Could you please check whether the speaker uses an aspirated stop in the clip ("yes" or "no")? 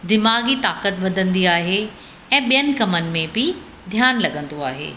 no